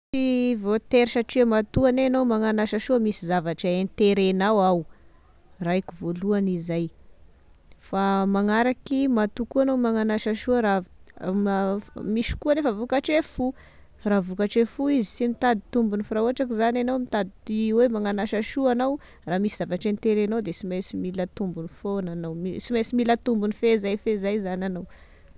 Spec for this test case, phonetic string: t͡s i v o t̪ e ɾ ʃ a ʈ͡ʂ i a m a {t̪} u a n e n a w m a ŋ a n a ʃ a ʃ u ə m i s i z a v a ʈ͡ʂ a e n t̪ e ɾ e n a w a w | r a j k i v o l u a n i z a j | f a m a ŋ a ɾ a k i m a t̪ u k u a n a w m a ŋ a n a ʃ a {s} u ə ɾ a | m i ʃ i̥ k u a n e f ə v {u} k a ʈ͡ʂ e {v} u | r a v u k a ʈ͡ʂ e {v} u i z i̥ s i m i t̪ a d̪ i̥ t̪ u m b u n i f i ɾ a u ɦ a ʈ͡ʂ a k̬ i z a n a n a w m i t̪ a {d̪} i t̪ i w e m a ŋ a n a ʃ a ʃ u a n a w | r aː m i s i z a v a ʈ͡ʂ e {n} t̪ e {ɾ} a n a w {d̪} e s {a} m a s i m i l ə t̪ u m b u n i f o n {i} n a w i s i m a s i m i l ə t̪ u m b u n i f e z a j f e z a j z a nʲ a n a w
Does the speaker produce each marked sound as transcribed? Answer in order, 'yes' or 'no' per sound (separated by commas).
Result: yes, no, yes, no, no, yes, yes, yes, yes, no, no